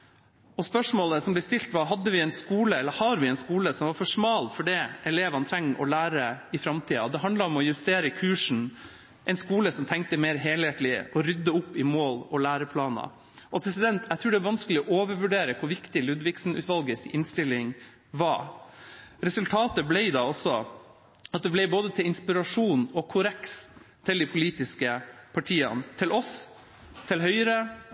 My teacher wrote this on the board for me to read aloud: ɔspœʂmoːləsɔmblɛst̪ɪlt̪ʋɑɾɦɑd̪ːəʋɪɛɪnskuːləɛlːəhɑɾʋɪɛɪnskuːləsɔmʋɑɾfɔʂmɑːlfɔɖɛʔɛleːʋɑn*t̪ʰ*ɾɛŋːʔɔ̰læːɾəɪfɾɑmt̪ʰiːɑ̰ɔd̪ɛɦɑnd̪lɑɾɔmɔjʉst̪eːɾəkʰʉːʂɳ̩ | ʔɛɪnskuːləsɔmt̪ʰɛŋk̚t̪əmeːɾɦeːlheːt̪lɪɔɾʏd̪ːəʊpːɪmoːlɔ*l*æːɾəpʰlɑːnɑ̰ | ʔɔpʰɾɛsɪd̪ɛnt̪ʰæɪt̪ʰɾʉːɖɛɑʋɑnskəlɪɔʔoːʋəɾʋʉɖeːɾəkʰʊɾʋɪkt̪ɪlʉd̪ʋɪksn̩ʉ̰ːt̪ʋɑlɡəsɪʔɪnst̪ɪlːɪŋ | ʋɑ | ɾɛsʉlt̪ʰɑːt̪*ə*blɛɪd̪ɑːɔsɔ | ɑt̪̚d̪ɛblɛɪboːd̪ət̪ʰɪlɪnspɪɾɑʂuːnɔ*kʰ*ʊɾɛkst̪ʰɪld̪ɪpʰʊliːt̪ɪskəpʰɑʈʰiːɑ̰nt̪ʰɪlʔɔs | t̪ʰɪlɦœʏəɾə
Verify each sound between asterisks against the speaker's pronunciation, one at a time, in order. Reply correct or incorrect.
correct, correct, correct, correct

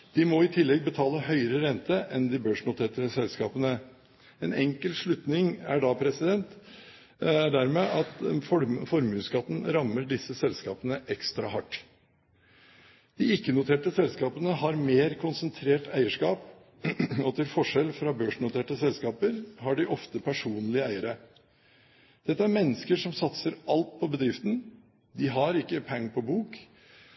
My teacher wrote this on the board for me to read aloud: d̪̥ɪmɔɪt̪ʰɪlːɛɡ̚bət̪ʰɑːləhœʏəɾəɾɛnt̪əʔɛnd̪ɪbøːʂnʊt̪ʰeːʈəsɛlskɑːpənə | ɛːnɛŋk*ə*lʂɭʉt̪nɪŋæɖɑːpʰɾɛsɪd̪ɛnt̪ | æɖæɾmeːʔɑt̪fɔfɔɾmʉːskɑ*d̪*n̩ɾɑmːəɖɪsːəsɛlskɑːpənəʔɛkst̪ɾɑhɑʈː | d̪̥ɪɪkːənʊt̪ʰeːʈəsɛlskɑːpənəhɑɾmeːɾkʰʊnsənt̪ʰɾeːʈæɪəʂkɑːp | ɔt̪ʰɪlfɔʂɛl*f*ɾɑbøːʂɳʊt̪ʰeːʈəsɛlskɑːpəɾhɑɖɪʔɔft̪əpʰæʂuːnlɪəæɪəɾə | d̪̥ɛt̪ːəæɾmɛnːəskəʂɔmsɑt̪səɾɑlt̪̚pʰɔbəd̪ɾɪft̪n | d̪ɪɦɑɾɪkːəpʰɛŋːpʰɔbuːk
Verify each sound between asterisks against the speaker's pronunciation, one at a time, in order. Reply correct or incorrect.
correct, incorrect: t̪, correct

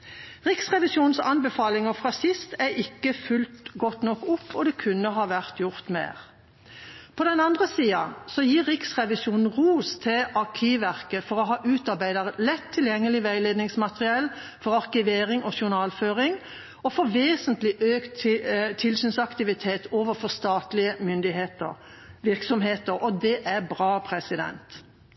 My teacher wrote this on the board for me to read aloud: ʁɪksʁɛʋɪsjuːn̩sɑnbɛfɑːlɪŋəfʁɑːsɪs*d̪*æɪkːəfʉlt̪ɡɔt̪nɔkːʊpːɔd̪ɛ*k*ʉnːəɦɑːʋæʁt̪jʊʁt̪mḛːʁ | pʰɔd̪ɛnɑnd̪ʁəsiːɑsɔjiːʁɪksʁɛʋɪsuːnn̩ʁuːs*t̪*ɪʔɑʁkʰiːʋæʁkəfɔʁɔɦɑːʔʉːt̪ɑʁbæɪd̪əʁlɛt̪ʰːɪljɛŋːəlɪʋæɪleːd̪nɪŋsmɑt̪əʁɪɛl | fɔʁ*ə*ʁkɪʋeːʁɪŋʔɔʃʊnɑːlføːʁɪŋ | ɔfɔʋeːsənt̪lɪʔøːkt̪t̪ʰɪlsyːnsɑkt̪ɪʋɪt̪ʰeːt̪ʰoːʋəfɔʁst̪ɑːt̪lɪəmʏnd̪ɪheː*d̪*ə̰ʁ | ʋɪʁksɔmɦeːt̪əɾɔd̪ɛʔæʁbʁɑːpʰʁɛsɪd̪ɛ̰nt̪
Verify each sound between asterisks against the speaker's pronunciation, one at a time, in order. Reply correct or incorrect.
incorrect: t̪, incorrect: kʰ, incorrect: t̪ʰ, incorrect: ɑ, incorrect: t̪

